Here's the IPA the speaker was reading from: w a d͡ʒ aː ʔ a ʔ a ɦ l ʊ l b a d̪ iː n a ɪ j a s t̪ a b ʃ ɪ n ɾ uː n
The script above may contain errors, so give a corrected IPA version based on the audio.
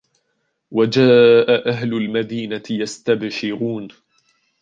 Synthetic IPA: w a d͡ʒ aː ʔ a ʔ a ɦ l ʊ l m a d̪ iː n a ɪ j a s t̪ a b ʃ ɪ ɾ uː n

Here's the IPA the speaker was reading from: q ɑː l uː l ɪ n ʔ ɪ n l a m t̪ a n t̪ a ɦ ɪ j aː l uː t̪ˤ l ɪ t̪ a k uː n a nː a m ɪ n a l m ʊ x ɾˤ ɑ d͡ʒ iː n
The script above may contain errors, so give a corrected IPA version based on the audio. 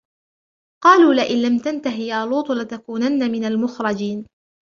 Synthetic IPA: q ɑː l uː l ɪ ʔ ɪ n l a m t̪ a n t̪ a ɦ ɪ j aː l uː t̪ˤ l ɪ t̪ a k uː n a nː a m ɪ n a l m ʊ x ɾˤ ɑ d͡ʒ iː n

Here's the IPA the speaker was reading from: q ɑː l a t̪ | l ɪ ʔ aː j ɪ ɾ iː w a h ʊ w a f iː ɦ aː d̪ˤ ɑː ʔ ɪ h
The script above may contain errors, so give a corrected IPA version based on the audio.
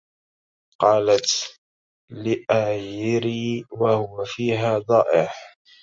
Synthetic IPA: q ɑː l a t̪ | l ɪ ʔ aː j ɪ ɾ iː w a h ʊ w a f iː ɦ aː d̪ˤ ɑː ʔ ɪ ħ

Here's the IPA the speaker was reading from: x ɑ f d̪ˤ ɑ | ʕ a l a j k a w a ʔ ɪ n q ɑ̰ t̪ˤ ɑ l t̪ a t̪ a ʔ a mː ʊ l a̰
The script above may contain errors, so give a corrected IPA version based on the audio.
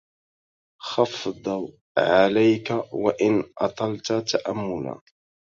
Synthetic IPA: x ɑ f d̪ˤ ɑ | ʕ a l a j k a w a ʔ ɪ n ʔ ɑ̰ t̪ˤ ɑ l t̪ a t̪ a ʔ a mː ʊ l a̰

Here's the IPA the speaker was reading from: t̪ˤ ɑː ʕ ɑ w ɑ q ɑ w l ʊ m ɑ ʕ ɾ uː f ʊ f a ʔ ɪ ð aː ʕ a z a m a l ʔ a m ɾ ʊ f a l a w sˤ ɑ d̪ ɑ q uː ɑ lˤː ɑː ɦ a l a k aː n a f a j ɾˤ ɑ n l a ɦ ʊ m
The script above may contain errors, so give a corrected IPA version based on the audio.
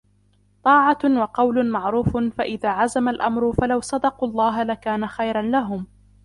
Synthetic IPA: t̪ˤ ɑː ʕ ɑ w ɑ q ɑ w l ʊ m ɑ ʕ ɾ uː f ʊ f a ʔ ɪ ð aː ʕ a z a m a l ʔ a m ɾ ʊ f a l a w sˤ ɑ d̪ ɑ q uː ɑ lˤː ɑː ɦ a l a k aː n a x a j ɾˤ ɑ n l a ɦ ʊ m

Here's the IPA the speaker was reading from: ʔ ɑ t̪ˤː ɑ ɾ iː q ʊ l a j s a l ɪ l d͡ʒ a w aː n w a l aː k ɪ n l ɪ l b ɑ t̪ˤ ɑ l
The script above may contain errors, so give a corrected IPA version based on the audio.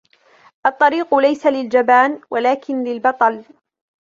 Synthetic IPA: ʔ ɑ t̪ˤː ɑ ɾ iː q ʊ l a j s a l ɪ l d͡ʒ a b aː n w a l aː k ɪ n l ɪ l b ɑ t̪ˤ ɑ l

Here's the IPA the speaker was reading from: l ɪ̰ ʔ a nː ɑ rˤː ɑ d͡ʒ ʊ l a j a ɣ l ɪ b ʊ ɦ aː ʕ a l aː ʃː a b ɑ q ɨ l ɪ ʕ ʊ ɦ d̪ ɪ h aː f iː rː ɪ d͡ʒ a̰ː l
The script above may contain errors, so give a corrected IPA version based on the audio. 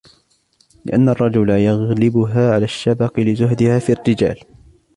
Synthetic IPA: l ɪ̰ ʔ a nː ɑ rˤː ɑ d͡ʒ ʊ l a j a ɣ l ɪ b ʊ ɦ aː ʕ a l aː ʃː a b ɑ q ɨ l ɪ z ʊ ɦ d̪ ɪ h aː f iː rː ɪ d͡ʒ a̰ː l

